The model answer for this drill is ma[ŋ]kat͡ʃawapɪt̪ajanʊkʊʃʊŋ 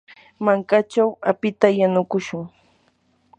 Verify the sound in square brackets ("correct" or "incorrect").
correct